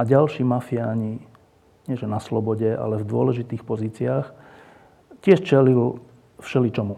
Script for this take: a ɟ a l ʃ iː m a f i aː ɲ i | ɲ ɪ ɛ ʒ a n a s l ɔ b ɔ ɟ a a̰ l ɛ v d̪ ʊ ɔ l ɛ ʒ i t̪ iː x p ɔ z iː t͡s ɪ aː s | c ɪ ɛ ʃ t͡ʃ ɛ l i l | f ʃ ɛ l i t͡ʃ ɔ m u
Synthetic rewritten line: a ɟ a l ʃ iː m a f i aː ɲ i | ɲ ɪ ɛ ʒ ɛ n a s l ɔ b ɔ ɟ ɛ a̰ l ɛ v d̪ ʊ ɔ l ɛ ʒ i t̪ iː x p ɔ z iː t͡s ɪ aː x | c ɪ ɛ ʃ t͡ʃ ɛ l i l | f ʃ ɛ l i t͡ʃ ɔ m u